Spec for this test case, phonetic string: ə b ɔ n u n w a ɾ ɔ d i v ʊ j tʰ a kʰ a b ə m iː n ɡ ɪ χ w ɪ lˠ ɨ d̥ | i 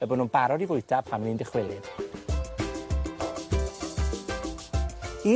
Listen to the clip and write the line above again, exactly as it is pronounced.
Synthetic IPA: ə b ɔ n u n b a ɾ ɔ d i v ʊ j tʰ a pʰ a m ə n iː n d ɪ χ w ɪ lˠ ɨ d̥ | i